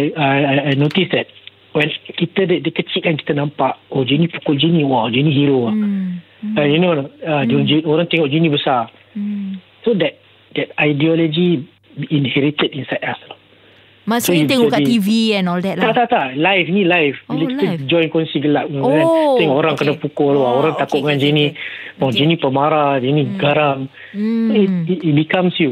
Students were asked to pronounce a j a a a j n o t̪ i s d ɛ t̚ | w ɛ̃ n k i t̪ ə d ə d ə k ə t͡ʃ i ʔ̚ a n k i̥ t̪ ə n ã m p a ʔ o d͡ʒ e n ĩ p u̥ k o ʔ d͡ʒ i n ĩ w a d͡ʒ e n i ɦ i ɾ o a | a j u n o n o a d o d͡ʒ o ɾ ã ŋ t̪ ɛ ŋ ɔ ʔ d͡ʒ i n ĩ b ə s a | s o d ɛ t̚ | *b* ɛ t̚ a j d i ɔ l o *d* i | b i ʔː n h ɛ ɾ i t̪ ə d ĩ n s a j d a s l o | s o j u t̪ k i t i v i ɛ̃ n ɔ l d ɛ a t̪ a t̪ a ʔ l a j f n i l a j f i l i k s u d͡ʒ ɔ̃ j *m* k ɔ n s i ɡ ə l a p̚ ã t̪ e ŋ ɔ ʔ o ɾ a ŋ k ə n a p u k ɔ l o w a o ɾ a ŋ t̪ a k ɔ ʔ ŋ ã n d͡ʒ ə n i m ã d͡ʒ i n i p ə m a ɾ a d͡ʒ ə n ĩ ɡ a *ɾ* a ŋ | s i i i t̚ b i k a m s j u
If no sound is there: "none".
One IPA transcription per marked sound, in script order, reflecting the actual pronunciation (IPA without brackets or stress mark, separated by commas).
d, d͡ʒ, n, ɾ